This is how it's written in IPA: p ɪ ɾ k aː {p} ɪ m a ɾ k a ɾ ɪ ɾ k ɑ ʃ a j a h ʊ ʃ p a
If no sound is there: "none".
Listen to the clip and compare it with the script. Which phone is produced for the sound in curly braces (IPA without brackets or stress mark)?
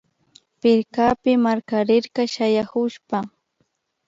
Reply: p